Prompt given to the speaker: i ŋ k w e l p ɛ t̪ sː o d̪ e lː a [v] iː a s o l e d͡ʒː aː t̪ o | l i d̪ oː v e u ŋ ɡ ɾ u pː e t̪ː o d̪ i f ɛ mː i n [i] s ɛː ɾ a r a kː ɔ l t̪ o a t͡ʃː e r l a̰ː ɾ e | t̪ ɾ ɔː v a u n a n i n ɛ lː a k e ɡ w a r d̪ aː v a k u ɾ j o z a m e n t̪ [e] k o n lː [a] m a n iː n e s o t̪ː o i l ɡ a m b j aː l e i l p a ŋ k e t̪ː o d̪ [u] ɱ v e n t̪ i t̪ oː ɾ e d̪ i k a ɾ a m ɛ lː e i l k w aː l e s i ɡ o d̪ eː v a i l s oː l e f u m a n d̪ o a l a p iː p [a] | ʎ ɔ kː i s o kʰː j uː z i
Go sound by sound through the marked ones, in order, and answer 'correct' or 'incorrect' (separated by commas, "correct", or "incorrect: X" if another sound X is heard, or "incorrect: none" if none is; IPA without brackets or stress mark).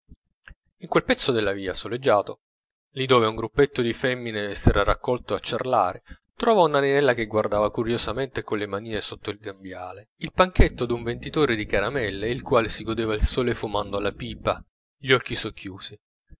correct, incorrect: e, correct, incorrect: e, correct, correct